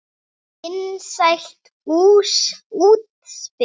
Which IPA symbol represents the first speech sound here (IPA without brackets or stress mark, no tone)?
ɪ